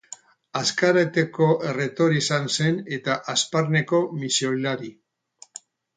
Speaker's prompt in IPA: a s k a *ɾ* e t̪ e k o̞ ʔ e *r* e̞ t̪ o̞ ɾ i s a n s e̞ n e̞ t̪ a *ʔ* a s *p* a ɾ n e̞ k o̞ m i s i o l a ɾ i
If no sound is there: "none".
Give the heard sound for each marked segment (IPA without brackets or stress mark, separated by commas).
ɾ, r, ʔ, p